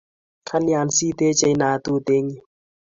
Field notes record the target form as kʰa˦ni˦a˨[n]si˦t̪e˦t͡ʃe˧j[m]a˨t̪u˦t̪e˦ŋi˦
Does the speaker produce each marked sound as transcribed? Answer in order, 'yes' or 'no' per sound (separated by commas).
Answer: yes, no